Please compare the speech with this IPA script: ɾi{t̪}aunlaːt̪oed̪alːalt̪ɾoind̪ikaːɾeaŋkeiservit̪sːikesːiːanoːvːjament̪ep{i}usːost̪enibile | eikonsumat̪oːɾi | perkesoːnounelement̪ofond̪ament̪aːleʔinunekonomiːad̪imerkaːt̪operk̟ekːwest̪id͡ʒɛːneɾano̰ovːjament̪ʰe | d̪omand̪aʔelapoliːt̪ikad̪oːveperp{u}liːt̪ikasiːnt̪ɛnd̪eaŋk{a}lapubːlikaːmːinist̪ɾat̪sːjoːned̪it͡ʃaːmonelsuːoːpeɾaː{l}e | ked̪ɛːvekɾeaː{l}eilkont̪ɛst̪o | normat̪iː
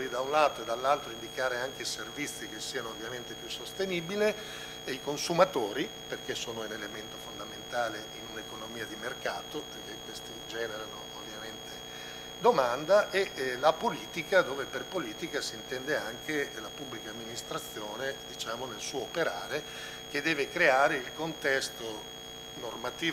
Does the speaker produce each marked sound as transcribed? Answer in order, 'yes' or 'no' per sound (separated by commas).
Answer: no, no, no, no, no, no